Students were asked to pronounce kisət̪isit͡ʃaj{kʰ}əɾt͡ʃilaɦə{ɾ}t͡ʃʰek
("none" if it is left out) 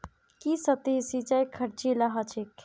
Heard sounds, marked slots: kʰ, none

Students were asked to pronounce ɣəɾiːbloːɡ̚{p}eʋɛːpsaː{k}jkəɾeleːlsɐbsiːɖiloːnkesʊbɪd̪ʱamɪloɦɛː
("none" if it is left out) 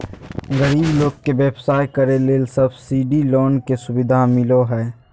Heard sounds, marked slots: k, none

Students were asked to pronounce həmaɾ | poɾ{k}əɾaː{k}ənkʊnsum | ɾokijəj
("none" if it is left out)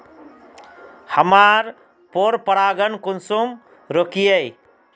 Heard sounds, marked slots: p, ɡ

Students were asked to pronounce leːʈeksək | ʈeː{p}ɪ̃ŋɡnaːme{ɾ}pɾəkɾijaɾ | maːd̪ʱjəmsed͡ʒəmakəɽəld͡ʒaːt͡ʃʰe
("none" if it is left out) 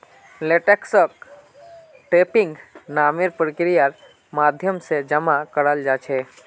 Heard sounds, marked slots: p, ɾ

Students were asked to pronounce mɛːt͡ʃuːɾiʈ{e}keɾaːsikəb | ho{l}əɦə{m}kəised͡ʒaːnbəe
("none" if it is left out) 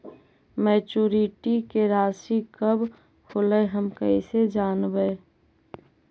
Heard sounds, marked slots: i, l, m

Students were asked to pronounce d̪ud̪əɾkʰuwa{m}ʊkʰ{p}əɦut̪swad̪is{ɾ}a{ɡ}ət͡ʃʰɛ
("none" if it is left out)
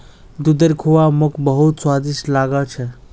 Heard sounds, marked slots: m, b, l, ɡ

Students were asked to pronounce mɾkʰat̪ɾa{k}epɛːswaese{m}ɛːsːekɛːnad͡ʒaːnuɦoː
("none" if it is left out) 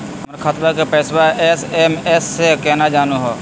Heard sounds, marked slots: k, m

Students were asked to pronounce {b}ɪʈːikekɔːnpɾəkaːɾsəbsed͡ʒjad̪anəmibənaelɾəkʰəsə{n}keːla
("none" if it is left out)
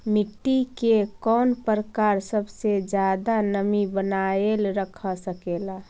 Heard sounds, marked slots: m, none

